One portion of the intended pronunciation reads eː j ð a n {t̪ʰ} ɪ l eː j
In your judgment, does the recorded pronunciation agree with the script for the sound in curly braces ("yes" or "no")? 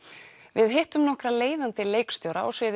no